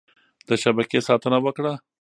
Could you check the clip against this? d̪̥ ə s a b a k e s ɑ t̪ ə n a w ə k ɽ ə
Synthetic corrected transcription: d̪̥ ə ʃ a b a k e s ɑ t̪ ə n a w ə k ɽ a

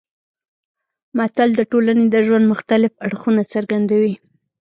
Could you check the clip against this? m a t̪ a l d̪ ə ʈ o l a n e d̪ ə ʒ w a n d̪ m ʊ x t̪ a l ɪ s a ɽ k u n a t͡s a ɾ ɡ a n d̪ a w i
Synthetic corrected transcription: m a t̪ a l d̪ ə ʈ o l a n e d̪ ə ʒ w a n d̪ m ʊ x t̪ a l ɪ f a ɽ x u n a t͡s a ɾ ɡ a n d̪ a w i

